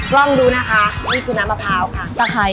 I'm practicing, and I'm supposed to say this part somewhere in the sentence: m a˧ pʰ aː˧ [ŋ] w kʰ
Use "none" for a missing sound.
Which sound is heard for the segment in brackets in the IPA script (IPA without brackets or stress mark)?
none